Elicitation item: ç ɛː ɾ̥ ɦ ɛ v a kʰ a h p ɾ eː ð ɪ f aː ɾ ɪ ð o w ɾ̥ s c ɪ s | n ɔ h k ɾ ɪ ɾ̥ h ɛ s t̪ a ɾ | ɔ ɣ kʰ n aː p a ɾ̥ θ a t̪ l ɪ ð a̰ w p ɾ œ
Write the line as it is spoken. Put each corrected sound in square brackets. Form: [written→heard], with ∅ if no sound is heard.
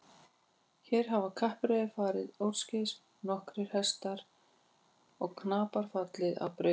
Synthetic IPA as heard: ç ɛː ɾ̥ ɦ [ɛ→a] v a kʰ a h p ɾ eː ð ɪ f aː ɾ ɪ ð o w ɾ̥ s c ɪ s | n ɔ h k ɾ ɪ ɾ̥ h ɛ s t̪ a ɾ | ɔ ɣ kʰ n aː p a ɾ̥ [θ→f] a t̪ l ɪ ð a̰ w p ɾ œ